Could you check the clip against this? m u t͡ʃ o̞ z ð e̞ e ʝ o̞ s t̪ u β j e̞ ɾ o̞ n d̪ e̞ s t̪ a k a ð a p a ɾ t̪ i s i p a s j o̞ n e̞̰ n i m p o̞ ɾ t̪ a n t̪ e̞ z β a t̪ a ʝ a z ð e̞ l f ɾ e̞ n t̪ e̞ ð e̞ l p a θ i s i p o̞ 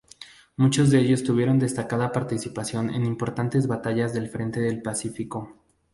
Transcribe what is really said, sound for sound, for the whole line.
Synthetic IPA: m u t͡ʃ o̞ z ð e̞ e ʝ o̞ s t̪ u β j e̞ ɾ o̞ n d̪ e̞ s t̪ a k a ð a p a ɾ t̪ i s i p a s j o̞ n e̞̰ n i m p o̞ ɾ t̪ a n t̪ e̞ z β a t̪ a ʝ a z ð e̞ l f ɾ e̞ n t̪ e̞ ð e̞ l p a s i f i k o̞